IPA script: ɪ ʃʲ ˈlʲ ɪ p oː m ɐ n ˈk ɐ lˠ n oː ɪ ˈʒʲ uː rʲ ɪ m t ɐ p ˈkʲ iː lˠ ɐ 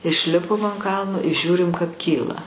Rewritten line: ɪ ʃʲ ˈlʲ ɪ p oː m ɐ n ˈk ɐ lˠ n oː ɪ ˈʒʲ uː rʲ ɪ m k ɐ p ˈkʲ iː lˠ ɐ